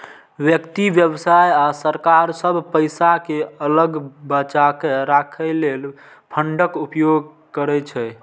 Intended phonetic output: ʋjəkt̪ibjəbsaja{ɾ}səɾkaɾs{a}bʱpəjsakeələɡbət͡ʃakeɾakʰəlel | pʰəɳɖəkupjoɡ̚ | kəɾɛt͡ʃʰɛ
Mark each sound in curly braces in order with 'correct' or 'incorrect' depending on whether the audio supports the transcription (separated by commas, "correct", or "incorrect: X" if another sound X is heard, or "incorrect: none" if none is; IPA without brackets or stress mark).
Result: incorrect: none, incorrect: ə